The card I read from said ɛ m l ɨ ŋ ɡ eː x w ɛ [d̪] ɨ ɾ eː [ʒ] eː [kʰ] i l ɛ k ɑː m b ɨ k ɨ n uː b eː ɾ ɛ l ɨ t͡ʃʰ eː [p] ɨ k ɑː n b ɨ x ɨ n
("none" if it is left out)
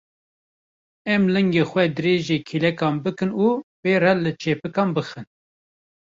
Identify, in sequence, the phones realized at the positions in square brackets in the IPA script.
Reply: d̪, ʒ, kʰ, p

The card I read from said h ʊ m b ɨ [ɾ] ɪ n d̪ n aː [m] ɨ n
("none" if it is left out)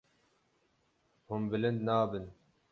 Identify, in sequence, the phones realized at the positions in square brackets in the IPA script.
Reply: l, b

